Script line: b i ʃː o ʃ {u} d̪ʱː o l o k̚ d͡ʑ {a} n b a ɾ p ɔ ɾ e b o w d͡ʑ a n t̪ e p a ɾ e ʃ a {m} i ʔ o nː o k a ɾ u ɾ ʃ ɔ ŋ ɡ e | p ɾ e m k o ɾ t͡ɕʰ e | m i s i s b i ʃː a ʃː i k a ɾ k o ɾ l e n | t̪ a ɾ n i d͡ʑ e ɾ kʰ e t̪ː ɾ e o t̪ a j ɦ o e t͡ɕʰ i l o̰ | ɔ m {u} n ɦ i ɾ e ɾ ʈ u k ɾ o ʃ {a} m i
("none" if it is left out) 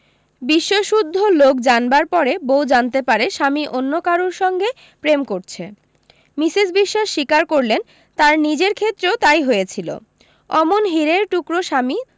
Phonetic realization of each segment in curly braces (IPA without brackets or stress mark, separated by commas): u, a, m, o, a